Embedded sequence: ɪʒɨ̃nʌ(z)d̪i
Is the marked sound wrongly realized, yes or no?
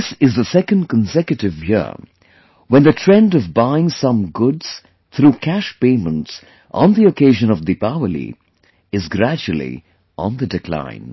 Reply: yes